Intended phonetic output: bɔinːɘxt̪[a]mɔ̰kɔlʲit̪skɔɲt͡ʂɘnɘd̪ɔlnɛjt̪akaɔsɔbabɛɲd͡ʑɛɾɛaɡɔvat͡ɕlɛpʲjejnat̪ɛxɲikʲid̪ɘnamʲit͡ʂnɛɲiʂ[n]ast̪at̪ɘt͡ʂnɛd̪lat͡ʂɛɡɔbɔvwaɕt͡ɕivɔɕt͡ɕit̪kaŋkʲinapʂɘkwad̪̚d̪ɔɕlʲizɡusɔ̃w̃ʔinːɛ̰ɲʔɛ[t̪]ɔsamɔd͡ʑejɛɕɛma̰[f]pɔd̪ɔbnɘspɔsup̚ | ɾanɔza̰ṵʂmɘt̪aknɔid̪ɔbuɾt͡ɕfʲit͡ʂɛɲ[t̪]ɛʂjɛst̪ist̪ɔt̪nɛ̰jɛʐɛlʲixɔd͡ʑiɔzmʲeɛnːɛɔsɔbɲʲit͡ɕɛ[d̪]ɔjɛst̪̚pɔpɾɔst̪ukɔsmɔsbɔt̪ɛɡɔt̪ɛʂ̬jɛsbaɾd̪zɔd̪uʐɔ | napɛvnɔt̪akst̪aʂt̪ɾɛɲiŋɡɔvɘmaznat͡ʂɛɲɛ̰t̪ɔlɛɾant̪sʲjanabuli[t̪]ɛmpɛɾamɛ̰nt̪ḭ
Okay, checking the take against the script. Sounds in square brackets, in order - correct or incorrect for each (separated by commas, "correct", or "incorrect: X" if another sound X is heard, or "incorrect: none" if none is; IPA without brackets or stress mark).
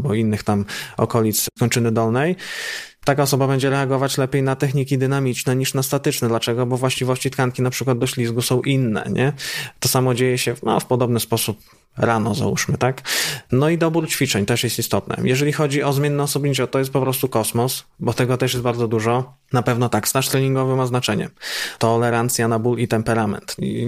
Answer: correct, correct, correct, correct, correct, incorrect: t̪, correct